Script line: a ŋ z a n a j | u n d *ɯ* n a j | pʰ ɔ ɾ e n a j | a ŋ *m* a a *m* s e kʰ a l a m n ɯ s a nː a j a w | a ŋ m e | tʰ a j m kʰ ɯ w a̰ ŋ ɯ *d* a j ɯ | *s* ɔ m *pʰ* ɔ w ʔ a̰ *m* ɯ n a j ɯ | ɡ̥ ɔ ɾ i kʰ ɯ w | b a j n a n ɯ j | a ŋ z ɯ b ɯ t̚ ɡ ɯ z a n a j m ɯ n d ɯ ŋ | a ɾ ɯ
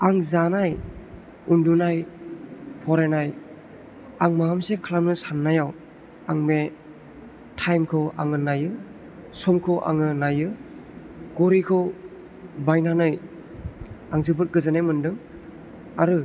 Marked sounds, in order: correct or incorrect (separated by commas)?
incorrect, correct, correct, incorrect, correct, incorrect, incorrect